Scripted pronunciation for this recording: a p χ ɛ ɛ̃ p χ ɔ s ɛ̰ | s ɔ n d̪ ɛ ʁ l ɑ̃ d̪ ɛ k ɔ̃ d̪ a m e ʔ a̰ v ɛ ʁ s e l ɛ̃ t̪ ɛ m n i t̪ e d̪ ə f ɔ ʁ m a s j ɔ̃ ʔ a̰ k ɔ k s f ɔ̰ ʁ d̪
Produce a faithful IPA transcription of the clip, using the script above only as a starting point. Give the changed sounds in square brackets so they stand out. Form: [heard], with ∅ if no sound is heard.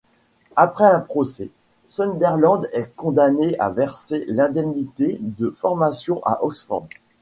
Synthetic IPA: a p χ ɛ ɛ̃ p χ ɔ s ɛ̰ | s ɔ n d̪ ɛ ʁ l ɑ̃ d̪ ɛ k ɔ̃ d̪ a [n] e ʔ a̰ v ɛ ʁ s e l ɛ̃ [d̪] ɛ m n i t̪ e d̪ ə f ɔ ʁ m a s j ɔ̃ ʔ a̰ [ʔ] ɔ k s f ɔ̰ ʁ d̪